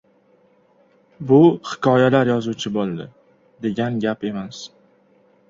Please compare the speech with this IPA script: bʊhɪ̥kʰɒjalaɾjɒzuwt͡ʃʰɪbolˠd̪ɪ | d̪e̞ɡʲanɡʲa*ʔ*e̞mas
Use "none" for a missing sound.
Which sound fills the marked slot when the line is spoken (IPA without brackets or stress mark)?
p